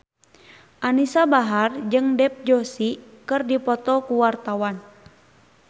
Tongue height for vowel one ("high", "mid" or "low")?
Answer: low